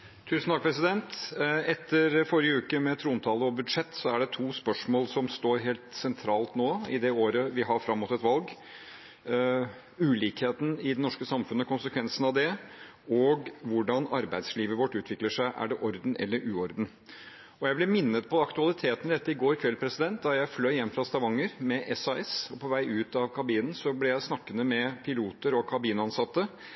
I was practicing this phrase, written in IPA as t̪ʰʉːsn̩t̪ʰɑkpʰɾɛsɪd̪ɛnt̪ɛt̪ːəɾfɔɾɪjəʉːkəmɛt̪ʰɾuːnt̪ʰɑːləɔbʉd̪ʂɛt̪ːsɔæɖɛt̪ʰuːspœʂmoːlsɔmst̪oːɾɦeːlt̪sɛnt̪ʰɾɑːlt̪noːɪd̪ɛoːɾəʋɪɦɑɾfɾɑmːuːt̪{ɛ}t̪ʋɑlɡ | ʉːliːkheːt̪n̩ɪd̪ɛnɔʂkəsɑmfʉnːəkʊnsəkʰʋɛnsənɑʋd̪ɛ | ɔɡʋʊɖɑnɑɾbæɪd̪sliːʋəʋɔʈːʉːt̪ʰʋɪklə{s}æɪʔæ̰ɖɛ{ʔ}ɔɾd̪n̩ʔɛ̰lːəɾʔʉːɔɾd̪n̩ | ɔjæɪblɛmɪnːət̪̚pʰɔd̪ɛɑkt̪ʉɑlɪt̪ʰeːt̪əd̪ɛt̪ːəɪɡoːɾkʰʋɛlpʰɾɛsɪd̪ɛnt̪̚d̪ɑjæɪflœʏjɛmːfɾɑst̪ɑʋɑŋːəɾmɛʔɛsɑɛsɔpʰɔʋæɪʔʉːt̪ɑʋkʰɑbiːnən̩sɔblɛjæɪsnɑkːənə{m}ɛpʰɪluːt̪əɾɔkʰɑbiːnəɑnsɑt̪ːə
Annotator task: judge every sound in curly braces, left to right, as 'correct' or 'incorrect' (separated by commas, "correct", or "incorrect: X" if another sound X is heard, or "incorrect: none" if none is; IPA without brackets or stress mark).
correct, incorrect: ʂ, correct, correct